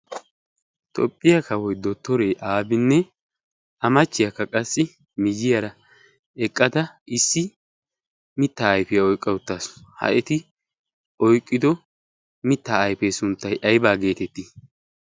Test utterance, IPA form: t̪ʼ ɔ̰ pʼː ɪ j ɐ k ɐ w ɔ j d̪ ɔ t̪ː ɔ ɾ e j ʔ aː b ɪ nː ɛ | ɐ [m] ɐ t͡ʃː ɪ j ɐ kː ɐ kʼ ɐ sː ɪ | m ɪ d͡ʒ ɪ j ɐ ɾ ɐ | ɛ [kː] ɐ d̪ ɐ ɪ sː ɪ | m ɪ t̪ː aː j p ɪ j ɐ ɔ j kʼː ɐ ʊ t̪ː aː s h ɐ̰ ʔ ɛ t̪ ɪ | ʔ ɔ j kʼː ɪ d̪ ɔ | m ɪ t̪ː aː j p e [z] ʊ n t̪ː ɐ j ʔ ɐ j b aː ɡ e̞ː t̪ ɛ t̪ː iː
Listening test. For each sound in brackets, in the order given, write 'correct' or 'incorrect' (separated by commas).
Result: correct, incorrect, incorrect